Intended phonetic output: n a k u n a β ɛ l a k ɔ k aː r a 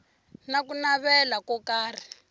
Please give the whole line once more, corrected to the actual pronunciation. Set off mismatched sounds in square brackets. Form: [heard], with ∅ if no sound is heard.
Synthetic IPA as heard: n a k u n a β ɛ l a k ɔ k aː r [i]